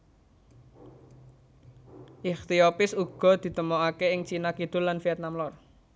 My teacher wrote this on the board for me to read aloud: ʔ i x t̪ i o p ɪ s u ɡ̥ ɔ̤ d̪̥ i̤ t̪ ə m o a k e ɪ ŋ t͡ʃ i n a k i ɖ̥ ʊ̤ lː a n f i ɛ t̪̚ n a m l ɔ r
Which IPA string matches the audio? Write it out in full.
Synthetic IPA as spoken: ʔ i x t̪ i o p ɪ s u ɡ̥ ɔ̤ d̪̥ i̤ t̪ ə m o a k e ɪ ŋ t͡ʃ i n a k i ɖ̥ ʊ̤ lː a n f i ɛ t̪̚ n a m l ɔ r